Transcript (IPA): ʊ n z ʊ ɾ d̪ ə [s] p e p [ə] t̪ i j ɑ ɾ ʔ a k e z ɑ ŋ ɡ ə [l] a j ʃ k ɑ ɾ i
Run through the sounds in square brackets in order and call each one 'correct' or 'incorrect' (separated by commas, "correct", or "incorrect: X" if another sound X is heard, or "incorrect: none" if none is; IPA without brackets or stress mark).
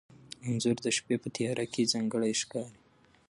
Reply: incorrect: ʃ, correct, incorrect: ɽ